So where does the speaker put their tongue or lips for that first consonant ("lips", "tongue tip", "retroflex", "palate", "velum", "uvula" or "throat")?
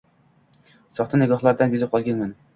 tongue tip